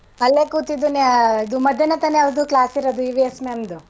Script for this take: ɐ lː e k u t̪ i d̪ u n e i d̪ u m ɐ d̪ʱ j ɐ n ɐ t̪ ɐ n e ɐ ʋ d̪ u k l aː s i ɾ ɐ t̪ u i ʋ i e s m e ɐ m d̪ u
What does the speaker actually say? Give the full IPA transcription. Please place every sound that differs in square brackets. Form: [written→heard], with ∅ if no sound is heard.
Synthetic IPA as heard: ɐ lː e k u t̪ i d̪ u n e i d̪ u m ɐ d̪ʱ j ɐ n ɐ t̪ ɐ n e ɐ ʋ d̪ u k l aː s i ɾ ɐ [t̪→d̪] u i ʋ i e s m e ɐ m d̪ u